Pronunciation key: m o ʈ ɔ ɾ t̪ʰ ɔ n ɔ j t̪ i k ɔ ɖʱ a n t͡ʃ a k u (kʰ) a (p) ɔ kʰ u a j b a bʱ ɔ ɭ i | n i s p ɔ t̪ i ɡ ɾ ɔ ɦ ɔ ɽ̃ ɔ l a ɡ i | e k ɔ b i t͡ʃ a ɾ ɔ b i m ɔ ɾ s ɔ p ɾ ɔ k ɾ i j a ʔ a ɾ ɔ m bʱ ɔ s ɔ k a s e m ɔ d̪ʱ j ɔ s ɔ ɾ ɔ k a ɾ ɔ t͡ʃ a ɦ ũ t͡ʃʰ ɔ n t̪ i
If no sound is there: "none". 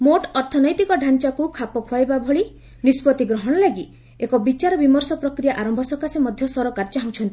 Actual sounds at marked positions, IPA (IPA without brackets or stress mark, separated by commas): kʰ, p